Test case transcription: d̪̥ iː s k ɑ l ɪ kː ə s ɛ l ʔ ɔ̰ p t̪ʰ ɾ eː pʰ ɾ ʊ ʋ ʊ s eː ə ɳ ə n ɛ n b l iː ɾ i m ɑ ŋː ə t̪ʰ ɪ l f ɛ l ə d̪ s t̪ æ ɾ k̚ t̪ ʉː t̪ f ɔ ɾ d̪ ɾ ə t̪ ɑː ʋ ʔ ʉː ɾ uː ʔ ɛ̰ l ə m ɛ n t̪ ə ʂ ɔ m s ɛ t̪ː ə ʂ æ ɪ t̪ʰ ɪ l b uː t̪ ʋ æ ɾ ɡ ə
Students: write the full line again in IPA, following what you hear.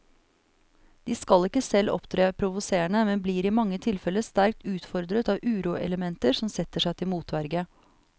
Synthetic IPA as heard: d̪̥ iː s k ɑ l ɪ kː ə s ɛ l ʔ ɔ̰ p t̪ʰ ɾ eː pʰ ɾ ʊ ʋ ʊ s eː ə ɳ ə m ɛ n b l iː ɾ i m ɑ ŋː ə t̪ʰ ɪ l f ɛ l ə s t̪ æ ɾ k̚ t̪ ʉː t̪ f ɔ ɾ d̪ ɾ ə t̪ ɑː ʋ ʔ ʉː ɾ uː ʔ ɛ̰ l ə m ɛ n t̪ ə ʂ ɔ m s ɛ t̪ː ə ʂ æ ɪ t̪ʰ ɪ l m uː t̪ ʋ æ ɾ ɡ ə

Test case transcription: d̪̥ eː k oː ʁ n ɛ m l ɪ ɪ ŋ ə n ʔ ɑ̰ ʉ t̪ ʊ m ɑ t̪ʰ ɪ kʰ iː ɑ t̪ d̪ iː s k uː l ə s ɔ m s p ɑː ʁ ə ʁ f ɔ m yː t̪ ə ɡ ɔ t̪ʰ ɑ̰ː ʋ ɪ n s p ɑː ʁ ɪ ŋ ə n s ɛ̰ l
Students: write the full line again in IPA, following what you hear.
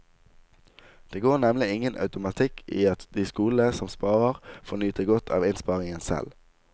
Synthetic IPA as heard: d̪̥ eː ɡ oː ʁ n ɛ m l ɪ ɪ ŋ ə n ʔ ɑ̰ ʉ t̪ ʊ m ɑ t̪ʰ ɪ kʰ iː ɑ t̪ d̪ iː s k uː l ə s ɔ m s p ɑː ʁ ə ʁ f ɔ n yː t̪ ə ɡ ɔ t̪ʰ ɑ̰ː ʋ ɪ n s p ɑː ʁ ɪ ŋ ə n s ɛ̰ l

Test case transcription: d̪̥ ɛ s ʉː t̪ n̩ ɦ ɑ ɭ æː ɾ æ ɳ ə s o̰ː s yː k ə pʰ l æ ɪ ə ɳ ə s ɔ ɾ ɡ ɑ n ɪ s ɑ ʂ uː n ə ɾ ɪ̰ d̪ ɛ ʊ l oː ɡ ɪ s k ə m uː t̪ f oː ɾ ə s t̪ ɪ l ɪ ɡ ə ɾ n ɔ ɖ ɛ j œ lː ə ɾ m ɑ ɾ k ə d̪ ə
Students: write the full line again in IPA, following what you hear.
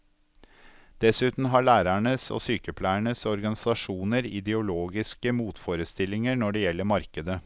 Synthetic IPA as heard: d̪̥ ɛ s ʉː t̪ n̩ ɦ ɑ ɭ æː ɾ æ ɳ ə s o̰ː s yː k ə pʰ l æ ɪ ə ɳ ə s ɔ ɾ ɡ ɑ n ɪ s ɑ ʂ uː n ə ɾ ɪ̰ d̪ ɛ ʊ l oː ɡ ɪ s k ə m uː t̪ f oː ɾ ə s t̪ ɪ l ɪ ŋ ə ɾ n ɔ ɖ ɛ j ɛ lː ə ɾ m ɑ ɾ k ə d̪ ə

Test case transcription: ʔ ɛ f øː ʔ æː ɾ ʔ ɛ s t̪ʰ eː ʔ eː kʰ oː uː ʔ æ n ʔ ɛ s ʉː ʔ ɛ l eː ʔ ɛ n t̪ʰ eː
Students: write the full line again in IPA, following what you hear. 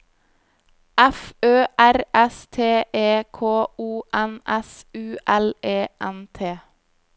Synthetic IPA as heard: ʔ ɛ f øː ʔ æ ɾ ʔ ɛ s t̪ʰ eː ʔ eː kʰ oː uː ʔ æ n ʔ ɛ s ʉː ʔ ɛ l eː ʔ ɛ n t̪ʰ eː

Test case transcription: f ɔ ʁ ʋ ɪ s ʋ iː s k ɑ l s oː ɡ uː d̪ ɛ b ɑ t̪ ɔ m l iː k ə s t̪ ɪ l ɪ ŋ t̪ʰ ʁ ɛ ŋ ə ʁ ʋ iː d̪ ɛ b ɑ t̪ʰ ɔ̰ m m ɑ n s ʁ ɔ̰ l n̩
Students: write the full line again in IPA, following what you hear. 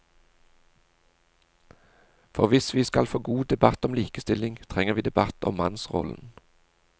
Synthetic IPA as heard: f ɔ ʁ ʋ ɪ s ʋ iː s k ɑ l f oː ɡ uː d̪ ɛ b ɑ t̪ ɔ m l iː k ə s t̪ ɪ l ɪ ŋ t̪ʰ ʁ ɛ ŋ ə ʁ ʋ iː d̪ ɛ b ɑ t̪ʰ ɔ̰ m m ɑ n s ʁ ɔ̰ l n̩

